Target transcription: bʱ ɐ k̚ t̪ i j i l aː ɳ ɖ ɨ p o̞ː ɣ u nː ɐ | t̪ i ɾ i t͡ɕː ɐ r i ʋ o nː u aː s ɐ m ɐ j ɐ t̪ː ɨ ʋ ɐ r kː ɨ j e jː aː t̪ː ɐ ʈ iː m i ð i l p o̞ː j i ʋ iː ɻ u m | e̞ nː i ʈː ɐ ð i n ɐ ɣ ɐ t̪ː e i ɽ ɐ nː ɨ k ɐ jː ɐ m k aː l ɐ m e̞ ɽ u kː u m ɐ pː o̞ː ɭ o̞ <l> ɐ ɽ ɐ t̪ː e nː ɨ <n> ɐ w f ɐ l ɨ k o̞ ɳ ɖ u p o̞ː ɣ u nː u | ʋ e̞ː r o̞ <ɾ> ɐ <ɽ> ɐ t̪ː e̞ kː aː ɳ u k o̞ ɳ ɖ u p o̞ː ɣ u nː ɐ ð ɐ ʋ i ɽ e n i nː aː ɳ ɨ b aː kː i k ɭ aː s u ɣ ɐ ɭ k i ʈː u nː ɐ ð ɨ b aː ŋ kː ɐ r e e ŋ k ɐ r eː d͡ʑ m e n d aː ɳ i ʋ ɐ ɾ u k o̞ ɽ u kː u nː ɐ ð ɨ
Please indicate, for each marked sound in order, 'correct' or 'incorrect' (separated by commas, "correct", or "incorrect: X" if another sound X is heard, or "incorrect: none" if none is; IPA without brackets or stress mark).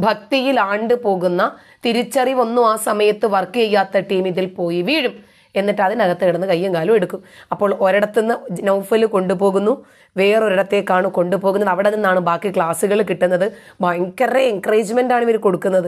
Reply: incorrect: ɾ, correct, correct, correct